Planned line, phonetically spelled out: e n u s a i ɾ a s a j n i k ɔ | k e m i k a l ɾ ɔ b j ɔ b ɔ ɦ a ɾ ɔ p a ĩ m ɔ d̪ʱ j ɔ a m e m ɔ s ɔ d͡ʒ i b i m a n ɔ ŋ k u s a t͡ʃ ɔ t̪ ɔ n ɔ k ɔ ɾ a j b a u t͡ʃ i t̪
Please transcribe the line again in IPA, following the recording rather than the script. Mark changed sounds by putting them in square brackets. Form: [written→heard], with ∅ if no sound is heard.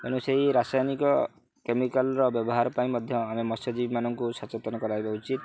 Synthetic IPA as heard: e n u s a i ɾ a s a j n i k ɔ | k e m i k a l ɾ ɔ b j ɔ b ɔ ɦ a ɾ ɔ p a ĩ m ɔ d̪ʱ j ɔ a m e m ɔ s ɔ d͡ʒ i b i m a n ɔ ŋ k u s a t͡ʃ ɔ t̪ ɔ n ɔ k ɔ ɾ a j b a u t͡ʃ i t̪